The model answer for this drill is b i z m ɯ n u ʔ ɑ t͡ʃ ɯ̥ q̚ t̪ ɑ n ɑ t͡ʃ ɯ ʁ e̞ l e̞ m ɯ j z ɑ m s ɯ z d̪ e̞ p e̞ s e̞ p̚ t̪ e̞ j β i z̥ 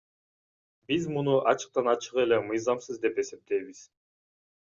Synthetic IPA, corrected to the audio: b i z m u n u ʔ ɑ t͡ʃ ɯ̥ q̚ t̪ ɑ n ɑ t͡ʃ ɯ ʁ e̞ l e̞ m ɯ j z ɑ m s ɯ z d̪ e̞ p e̞ s e̞ p̚ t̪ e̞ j β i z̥